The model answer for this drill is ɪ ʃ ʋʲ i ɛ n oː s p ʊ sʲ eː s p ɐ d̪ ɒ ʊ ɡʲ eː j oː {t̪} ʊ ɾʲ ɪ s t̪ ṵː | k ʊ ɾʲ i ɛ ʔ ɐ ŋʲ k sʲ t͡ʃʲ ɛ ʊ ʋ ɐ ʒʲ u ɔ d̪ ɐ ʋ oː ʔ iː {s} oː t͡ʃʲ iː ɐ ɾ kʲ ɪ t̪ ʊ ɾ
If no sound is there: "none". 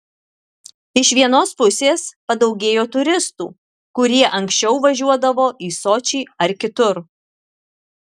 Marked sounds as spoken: t̪, s

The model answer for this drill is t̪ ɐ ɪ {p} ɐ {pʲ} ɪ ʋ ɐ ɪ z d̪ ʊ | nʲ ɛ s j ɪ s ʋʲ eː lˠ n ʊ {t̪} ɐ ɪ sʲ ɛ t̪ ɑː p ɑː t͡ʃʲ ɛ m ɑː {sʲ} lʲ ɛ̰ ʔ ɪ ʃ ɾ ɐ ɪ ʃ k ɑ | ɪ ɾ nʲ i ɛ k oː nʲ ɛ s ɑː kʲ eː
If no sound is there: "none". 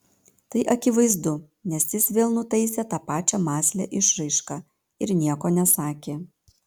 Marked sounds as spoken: ʔ, kʲ, t̪, sʲ

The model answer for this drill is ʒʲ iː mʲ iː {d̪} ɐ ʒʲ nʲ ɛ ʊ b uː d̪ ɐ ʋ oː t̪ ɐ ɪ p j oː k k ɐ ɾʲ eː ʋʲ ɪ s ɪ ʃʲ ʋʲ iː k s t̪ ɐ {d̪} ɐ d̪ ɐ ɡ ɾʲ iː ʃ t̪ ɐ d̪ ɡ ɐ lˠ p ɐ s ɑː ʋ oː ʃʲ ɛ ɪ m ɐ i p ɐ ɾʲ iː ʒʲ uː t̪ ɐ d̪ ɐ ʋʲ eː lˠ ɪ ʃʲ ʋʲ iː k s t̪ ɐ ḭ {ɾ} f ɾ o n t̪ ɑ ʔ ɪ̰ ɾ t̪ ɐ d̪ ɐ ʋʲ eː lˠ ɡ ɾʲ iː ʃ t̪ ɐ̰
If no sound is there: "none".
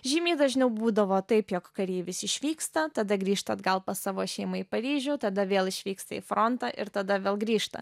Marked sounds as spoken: d̪, t̪, none

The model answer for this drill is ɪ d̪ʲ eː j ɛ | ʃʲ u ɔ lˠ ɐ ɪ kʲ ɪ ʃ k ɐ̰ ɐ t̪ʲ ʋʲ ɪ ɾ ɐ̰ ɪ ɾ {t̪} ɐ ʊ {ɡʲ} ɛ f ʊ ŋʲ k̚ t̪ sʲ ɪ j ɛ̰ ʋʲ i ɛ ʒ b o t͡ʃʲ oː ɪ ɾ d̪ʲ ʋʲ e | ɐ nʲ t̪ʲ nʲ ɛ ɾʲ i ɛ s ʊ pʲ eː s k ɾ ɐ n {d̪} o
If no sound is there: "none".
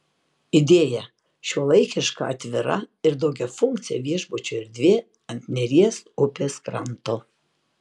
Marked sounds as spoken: d̪, ɡʲ, t̪

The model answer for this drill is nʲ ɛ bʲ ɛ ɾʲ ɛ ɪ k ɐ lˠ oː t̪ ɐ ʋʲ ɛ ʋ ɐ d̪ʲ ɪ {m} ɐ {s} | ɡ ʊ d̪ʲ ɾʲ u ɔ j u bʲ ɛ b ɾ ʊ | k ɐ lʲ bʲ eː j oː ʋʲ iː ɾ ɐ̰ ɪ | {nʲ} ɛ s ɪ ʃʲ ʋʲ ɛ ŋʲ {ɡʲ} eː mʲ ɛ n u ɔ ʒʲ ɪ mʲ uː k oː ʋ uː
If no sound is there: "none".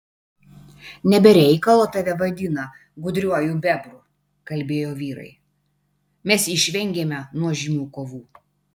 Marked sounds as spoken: n, none, mʲ, ɡʲ

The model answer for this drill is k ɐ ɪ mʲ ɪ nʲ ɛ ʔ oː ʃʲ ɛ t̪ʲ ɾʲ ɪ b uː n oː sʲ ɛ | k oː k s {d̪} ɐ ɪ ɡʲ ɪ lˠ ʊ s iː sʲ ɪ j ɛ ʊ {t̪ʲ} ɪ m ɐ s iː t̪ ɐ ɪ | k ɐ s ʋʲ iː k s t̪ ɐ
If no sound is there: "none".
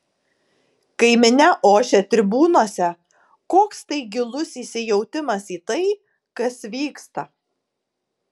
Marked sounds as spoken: t̪, t̪ʲ

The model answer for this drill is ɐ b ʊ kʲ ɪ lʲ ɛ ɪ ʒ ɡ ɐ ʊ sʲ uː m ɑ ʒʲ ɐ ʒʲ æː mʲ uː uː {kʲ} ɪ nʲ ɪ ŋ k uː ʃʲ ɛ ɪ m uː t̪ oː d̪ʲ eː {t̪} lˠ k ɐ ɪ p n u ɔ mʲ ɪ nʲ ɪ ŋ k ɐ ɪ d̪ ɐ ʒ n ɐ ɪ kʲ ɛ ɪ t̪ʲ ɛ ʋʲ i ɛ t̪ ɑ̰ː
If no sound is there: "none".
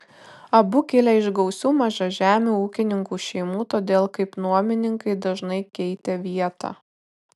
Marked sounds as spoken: kʲ, none

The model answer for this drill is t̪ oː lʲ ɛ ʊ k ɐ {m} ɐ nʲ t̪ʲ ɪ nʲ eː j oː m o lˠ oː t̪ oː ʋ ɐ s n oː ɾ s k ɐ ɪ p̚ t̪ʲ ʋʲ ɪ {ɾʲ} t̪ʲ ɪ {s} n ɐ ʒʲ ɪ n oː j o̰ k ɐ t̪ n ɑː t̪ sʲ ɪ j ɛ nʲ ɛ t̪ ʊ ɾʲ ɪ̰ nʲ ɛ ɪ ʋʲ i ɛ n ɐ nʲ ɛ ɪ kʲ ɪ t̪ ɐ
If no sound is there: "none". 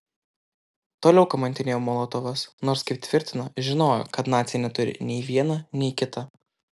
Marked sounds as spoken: m, ɾʲ, none

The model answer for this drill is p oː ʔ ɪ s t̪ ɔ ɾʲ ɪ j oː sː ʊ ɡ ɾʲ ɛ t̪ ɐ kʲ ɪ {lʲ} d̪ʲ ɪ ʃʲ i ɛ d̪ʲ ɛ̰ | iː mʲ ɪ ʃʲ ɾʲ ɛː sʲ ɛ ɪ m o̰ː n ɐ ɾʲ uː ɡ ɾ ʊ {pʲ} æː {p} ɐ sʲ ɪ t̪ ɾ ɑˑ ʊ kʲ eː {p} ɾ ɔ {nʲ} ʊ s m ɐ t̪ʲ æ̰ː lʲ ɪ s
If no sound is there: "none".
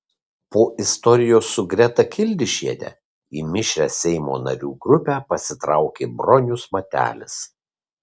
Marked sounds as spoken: lʲ, pʲ, p, b, nʲ

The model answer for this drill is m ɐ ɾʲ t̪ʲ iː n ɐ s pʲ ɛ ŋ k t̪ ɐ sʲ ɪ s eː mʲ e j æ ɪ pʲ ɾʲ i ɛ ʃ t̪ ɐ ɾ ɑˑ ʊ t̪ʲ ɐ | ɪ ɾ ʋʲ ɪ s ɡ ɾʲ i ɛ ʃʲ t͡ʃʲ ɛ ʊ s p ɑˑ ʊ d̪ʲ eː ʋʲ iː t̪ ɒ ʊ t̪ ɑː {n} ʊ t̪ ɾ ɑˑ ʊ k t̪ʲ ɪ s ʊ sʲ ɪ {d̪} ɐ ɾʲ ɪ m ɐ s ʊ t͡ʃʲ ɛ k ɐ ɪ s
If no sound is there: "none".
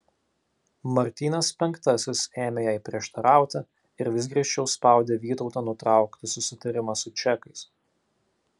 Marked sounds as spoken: n, t̪

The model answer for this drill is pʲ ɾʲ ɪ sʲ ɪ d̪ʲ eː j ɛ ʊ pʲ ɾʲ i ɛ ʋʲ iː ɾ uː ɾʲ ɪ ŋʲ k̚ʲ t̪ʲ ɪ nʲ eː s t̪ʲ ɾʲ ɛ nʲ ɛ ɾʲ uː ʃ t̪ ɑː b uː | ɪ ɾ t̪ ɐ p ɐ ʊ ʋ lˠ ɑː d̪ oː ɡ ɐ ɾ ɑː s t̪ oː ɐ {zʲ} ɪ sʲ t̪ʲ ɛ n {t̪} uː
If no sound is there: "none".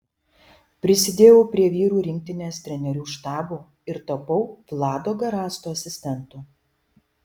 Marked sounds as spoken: sʲ, t̪

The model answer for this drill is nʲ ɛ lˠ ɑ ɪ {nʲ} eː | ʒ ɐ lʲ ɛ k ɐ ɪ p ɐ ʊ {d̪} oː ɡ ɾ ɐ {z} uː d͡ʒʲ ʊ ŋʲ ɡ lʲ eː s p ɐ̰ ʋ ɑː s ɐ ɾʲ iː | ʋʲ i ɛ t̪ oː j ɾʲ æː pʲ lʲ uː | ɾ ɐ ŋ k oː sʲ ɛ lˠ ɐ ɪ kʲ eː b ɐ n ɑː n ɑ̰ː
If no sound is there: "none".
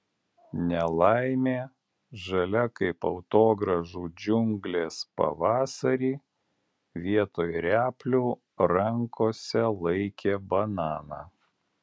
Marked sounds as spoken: mʲ, t̪, ʒ

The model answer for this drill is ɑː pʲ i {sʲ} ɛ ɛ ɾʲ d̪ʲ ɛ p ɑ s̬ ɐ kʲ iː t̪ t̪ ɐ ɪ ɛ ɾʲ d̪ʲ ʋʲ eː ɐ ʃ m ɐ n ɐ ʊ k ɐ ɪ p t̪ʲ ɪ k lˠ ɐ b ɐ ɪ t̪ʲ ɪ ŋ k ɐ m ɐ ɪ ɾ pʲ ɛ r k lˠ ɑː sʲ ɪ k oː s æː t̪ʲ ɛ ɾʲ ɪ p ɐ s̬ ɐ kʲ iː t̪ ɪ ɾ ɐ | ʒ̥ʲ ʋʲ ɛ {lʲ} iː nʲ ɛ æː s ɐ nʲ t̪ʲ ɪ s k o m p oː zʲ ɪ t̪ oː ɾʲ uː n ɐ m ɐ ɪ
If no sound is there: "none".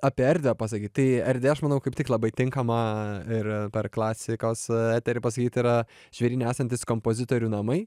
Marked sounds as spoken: none, ɾʲ

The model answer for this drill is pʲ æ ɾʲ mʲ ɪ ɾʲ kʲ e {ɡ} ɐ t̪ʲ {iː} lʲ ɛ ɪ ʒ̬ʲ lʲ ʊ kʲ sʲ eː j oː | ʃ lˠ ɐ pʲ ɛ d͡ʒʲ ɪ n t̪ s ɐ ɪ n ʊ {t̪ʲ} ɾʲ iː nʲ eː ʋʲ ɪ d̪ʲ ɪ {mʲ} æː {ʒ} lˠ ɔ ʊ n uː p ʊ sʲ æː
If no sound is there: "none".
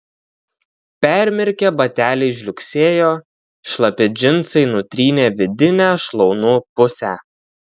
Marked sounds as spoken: b, æː, t̪ʲ, nʲ, ʃ

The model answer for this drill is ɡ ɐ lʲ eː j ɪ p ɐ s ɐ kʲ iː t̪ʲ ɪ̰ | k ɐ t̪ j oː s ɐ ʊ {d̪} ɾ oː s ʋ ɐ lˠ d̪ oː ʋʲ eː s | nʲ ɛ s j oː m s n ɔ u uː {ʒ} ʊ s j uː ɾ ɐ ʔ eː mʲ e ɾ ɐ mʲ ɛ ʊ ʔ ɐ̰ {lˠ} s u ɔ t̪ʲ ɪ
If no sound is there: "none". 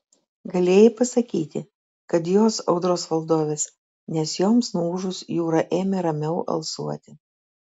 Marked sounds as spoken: d̪, ʒ, lˠ

